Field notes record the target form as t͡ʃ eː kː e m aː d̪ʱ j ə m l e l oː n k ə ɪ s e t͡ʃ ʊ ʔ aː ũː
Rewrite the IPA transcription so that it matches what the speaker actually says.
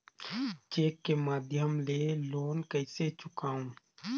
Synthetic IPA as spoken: t͡ʃ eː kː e m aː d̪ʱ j ə m l e l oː n k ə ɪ s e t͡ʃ ʊ k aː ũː